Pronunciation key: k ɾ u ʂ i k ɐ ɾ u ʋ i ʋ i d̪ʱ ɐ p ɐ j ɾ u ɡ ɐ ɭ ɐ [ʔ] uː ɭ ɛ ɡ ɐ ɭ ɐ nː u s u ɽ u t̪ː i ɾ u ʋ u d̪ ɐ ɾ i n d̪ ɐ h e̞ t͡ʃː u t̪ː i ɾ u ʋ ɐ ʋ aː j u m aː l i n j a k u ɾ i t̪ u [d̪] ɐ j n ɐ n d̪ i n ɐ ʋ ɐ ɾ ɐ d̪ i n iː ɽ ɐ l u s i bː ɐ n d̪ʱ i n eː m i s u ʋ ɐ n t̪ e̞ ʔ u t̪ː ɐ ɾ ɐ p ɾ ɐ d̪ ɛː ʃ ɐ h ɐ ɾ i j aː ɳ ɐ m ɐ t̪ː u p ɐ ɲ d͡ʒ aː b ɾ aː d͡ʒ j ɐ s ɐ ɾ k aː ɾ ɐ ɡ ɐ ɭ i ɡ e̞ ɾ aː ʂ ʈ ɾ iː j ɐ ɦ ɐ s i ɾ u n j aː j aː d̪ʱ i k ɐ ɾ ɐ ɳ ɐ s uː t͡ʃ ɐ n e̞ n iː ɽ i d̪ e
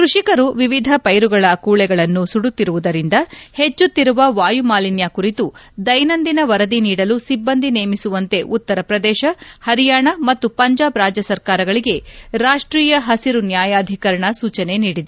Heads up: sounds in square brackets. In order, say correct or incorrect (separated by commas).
incorrect, correct